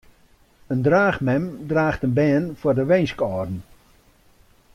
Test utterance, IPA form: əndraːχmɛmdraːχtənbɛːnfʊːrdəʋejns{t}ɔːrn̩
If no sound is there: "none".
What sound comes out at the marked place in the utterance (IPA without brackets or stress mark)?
k